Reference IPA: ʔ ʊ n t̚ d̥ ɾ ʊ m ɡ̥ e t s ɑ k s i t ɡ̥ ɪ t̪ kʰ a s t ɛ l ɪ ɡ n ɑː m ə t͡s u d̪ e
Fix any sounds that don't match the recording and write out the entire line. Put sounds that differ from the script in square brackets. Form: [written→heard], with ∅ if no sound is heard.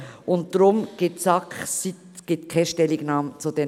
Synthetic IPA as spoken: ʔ ʊ n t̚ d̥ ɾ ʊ m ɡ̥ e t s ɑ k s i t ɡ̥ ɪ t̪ kʰ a [s→ʃ] t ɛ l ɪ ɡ n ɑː m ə t͡s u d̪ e